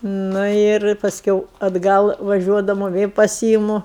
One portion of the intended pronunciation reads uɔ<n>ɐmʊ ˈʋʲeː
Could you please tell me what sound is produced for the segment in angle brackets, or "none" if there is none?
d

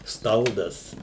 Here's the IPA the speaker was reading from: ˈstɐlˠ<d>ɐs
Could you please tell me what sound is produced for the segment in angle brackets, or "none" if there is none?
d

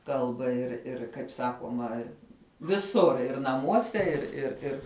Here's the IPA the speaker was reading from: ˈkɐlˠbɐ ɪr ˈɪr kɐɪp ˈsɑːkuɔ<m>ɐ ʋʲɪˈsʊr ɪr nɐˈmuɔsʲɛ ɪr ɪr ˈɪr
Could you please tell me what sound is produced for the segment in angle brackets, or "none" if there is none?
m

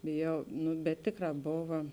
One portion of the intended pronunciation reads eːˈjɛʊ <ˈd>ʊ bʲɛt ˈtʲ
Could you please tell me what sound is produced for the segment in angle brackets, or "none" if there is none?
n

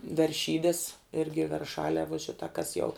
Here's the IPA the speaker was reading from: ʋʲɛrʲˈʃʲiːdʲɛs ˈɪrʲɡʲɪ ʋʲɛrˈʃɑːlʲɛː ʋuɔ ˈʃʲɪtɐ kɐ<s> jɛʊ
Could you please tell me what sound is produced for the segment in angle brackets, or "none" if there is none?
s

